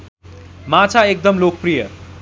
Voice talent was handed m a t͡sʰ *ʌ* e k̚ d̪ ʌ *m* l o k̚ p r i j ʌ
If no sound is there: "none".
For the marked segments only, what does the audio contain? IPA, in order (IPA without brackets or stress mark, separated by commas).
a, m